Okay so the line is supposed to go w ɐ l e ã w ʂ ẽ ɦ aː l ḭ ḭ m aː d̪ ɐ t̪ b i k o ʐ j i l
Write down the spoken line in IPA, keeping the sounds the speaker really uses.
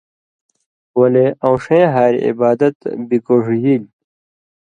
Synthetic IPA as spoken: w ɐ l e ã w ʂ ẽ ɦ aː ɾ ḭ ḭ b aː d̪ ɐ t̪ b i k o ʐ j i l